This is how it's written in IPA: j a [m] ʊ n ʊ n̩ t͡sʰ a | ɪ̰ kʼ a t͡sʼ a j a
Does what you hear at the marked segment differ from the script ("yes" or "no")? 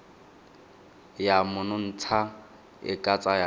no